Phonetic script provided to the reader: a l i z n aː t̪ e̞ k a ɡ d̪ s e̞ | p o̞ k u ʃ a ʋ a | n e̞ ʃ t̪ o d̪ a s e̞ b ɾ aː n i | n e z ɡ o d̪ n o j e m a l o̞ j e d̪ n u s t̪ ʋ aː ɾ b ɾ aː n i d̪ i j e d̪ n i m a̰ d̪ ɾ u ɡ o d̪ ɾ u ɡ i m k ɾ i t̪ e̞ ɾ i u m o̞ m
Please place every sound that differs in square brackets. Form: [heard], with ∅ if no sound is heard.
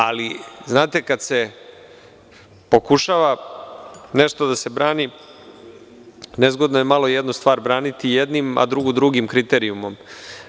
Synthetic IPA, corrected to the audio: a l i z n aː t̪ e̞ k a [∅] d̪ s e̞ | p o̞ k u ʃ a ʋ a | n e̞ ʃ t̪ o d̪ a s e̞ b ɾ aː n i | n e z ɡ o d̪ n o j e m a l o̞ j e d̪ n u s t̪ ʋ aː ɾ b ɾ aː n i [t̪] i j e d̪ n i m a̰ d̪ ɾ u ɡ [u] d̪ ɾ u ɡ i m k ɾ i t̪ e̞ ɾ i u m o̞ m